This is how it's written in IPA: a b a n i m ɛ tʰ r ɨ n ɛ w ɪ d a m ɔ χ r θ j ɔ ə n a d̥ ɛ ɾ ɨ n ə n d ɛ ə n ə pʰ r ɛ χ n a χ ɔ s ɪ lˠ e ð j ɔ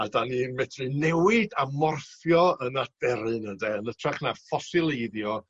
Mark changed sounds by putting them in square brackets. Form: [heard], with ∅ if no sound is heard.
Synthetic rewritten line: a [d] a n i m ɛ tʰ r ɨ n ɛ w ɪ d a m ɔ [∅] r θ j ɔ ə n a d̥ ɛ ɾ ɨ n ə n d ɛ ə n ə [tʰ] r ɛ χ n a [f] ɔ s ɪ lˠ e ð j ɔ

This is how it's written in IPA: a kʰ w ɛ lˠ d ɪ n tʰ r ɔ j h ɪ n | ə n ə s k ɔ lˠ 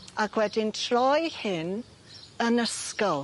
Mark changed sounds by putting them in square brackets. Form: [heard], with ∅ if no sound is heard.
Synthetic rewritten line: a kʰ w ɛ [∅] d ɪ n tʰ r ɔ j h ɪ n | ə n ə s k ɔ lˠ

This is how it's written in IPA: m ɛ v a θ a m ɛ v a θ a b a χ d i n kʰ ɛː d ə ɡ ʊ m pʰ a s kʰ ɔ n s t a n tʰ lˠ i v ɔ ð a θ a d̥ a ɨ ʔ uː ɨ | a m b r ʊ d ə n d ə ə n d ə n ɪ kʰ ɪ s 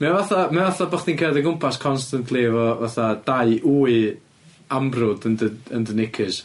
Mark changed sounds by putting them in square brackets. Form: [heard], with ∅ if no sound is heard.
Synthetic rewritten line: m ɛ v a θ a m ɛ v a θ a b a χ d i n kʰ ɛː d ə ɡ ʊ m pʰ a s kʰ ɔ n s t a n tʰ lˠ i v ɔ [v] a θ a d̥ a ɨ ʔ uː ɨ | a m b r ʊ d ə n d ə ə n d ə n ɪ kʰ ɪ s

